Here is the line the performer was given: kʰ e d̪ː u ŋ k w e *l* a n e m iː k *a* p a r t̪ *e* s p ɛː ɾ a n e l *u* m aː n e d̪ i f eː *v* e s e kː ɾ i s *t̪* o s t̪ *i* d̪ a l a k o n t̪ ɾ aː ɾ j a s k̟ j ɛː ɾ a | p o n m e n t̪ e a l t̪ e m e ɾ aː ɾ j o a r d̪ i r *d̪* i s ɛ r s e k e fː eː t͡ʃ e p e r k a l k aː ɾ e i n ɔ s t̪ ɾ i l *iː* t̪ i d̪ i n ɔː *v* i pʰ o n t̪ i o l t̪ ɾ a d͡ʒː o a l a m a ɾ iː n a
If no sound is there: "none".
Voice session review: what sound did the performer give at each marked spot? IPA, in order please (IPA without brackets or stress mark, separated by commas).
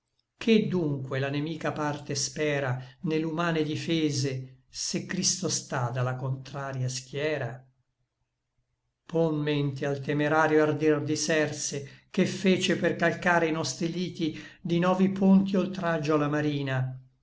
l, a, e, u, z, t̪, a, d̪, iː, v